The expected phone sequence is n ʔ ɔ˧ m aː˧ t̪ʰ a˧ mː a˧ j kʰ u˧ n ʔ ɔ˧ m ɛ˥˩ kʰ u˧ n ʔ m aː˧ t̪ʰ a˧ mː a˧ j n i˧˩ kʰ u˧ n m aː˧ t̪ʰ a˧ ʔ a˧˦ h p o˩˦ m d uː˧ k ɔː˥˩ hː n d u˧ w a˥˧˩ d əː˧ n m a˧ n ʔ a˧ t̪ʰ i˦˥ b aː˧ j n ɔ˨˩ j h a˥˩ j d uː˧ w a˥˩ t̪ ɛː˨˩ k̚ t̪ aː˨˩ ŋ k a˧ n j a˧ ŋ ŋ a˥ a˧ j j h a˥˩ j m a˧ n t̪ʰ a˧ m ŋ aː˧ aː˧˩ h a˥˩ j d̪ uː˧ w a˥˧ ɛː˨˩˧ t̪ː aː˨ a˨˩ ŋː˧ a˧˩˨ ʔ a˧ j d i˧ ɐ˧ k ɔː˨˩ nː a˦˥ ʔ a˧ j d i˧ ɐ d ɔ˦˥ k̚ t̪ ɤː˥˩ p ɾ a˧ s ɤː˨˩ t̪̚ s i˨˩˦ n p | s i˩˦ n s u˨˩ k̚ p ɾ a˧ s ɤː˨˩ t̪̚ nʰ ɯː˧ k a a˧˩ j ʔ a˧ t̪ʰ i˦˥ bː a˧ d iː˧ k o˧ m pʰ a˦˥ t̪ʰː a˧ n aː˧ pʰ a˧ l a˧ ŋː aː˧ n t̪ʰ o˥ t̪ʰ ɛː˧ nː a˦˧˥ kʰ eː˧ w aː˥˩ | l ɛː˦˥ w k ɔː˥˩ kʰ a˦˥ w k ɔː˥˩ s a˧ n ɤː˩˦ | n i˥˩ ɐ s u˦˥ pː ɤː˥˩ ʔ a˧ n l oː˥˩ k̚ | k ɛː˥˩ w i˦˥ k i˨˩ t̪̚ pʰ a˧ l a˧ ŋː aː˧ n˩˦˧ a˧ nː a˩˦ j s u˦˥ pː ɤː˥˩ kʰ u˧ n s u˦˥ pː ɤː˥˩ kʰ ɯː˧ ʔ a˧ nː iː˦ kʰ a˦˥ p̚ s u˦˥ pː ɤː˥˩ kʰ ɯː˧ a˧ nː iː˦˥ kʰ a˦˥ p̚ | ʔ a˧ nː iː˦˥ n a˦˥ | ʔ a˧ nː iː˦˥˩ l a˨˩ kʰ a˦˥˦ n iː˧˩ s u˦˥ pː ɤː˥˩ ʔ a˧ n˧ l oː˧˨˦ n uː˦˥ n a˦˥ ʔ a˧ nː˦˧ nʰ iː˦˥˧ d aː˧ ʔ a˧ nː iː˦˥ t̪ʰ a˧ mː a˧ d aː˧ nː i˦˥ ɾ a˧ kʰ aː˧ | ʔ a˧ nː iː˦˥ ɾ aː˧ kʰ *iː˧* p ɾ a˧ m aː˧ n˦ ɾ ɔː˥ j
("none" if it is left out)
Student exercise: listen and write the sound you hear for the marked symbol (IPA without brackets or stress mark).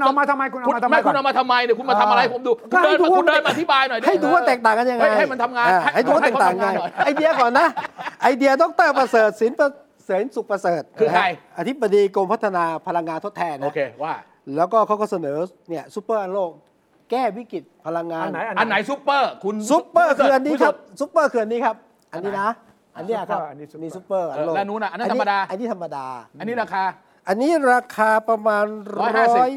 aː˧